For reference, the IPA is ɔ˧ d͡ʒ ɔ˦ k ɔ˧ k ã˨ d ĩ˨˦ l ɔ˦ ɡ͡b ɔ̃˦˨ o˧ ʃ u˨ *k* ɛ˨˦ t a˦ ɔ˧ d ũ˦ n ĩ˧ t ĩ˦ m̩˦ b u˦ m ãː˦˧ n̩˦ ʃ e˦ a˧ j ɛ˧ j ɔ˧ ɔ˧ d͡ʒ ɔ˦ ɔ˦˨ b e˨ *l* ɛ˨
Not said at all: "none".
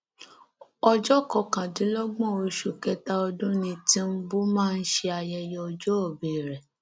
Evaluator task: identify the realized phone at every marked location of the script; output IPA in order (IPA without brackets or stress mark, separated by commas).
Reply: k, ɾ